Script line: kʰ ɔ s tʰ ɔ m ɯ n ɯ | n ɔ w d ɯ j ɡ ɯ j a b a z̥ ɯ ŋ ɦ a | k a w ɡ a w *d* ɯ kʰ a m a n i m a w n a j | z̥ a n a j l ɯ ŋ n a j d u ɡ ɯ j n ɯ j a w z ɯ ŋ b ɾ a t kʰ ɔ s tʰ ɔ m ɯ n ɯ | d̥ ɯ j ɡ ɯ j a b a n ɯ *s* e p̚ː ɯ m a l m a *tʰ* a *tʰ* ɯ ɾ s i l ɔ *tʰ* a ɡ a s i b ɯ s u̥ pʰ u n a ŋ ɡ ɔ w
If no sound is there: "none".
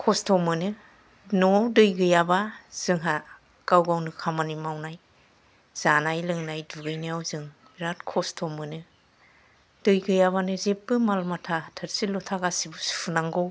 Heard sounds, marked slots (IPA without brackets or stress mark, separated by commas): n, z, tʰ, tʰ, tʰ